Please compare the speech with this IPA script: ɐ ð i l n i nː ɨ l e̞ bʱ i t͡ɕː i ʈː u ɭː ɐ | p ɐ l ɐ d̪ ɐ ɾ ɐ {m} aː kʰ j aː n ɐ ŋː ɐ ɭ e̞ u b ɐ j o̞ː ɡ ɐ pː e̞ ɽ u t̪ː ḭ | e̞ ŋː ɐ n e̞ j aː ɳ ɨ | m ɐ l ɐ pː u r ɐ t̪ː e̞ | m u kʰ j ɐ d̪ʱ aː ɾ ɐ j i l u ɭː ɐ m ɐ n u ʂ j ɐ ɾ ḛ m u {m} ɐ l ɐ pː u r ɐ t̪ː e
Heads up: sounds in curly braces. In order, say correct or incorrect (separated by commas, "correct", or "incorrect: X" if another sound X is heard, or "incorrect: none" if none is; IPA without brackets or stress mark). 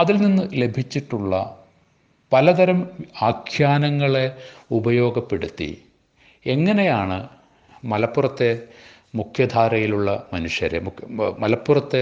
correct, correct